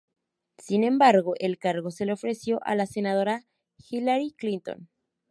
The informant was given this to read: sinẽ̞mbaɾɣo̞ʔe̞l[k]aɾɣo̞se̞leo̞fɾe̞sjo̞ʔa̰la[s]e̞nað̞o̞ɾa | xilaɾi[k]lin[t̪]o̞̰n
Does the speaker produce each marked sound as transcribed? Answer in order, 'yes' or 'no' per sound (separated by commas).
yes, yes, yes, yes